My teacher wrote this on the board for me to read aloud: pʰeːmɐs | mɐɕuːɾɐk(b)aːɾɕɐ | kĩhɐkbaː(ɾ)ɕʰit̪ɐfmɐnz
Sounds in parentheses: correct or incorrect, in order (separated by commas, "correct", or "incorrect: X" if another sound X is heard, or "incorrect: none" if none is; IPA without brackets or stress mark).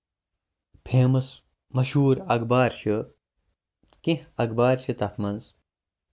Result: correct, correct